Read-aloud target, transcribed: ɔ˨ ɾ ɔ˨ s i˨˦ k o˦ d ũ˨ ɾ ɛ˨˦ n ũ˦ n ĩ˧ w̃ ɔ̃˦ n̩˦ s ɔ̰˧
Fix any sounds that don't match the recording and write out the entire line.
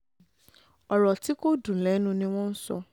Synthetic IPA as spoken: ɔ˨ ɾ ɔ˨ t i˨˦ k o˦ d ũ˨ l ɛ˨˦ n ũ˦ n ĩ˧ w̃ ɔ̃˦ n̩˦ s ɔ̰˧

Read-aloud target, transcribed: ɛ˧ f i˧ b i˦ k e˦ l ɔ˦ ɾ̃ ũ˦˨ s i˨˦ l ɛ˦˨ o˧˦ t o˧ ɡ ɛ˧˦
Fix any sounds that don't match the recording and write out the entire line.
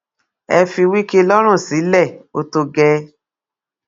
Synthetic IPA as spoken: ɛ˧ f i˧ w i˦ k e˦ l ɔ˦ ɾ̃ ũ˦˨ s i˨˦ l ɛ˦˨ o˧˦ t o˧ ɡ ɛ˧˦

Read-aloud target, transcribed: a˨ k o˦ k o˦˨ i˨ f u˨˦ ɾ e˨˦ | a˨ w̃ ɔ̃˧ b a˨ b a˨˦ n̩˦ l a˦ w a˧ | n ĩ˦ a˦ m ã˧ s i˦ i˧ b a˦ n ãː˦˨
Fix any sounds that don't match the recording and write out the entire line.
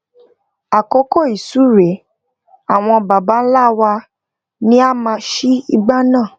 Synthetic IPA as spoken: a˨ k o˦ k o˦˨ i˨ s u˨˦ ɾ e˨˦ | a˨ w̃ ɔ̃˧ b a˨ b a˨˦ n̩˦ l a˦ w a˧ | n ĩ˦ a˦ m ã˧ ʃ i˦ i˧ ɡ͡b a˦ n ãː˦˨

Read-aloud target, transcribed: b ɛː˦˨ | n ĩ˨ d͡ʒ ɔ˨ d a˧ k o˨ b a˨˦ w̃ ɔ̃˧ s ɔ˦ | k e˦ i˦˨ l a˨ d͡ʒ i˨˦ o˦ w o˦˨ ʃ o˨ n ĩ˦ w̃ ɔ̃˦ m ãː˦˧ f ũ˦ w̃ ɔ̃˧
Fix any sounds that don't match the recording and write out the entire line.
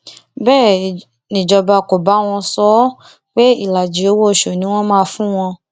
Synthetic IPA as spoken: b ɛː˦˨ | n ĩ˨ d͡ʒ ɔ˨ b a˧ k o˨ b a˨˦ w̃ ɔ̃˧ s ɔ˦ | k͡p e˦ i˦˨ l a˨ d͡ʒ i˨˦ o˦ w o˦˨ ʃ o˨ n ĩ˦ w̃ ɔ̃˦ m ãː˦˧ f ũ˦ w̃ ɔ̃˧

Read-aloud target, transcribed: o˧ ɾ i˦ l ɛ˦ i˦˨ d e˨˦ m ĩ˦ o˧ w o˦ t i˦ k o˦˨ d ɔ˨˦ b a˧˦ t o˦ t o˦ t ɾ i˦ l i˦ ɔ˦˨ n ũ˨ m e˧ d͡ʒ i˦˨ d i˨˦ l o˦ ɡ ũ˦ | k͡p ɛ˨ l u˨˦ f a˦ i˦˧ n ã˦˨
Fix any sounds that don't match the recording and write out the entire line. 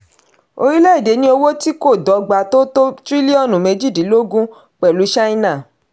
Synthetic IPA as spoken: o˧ ɾ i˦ l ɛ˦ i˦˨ d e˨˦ n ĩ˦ o˧ w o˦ t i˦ k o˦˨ d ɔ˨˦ ɡ͡b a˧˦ t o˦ t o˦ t ɾ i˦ l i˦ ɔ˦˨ n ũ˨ m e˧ d͡ʒ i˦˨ d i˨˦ l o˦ ɡ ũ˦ | k͡p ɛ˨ l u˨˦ ʃ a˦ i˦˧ n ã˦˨

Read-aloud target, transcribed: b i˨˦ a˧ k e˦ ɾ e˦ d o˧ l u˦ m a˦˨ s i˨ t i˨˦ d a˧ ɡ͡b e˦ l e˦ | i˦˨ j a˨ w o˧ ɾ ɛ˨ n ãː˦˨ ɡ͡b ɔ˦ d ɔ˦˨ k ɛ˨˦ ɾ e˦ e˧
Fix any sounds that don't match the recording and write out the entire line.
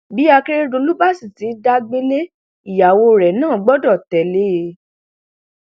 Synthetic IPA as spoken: b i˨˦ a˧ k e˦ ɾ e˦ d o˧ l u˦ b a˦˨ s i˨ t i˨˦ d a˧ ɡ͡b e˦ l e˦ | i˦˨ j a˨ w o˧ ɾ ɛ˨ n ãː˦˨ ɡ͡b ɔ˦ d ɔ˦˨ t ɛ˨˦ l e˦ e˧

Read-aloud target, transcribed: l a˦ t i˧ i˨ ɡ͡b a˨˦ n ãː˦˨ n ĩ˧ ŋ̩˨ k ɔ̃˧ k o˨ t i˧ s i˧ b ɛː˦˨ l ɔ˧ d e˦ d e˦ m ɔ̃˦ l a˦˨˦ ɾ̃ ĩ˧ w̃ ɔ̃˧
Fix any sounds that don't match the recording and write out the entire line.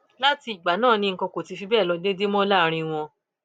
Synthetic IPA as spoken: l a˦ t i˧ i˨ ɡ͡b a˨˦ n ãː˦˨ n ĩ˧ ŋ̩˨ k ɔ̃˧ k o˨ t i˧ f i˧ b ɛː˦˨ l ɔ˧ d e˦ d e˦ m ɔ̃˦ l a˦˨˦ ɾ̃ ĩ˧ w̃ ɔ̃˧

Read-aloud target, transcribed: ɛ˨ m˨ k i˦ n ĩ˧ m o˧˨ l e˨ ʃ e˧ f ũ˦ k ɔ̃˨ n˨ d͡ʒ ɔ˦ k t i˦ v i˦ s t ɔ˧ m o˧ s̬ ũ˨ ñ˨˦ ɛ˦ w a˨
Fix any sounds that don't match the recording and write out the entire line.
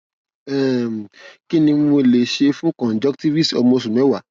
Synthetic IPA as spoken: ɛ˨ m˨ k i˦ n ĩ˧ m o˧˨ l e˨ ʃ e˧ f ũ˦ k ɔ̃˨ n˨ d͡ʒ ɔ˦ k t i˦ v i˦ s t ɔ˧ m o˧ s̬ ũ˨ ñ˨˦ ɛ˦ w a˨

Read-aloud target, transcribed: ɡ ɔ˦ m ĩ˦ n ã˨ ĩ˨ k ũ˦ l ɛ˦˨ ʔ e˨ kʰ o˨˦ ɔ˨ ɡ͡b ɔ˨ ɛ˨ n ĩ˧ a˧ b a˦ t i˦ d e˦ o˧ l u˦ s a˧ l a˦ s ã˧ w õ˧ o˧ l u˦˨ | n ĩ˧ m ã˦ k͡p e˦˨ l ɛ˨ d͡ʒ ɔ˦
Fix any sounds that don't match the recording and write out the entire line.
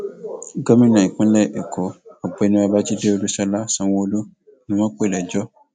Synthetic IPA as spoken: ɡ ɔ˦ m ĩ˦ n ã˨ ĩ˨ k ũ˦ l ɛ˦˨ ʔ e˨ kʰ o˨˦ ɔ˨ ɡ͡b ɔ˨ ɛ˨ n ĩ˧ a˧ b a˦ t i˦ d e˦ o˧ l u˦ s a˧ l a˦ s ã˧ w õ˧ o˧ l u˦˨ | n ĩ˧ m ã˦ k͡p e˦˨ l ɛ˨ d͡ʒ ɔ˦

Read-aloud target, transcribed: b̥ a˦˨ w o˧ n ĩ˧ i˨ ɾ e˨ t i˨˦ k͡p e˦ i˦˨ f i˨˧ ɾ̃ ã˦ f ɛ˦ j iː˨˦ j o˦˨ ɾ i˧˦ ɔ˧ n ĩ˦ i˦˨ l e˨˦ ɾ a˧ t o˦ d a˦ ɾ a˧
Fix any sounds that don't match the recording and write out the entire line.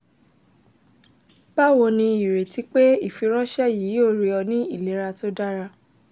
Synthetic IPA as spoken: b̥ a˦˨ w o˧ n ĩ˧ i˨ ɾ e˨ t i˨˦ k͡p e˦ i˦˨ f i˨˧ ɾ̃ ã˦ ʃ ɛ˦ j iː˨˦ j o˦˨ ɾ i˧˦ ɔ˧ n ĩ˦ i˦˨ l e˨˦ ɾ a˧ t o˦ d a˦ ɾ a˧

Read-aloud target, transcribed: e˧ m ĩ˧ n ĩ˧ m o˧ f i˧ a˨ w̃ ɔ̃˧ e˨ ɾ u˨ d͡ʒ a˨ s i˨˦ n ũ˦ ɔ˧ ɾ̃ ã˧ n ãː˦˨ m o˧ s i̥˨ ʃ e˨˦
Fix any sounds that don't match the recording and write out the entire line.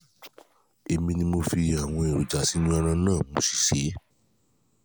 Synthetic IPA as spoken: e˧ m ĩ˧ n ĩ˧ m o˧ f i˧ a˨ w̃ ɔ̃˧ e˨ ɾ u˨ d͡ʒ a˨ s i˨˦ n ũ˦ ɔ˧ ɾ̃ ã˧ n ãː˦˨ m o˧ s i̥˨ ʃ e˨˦

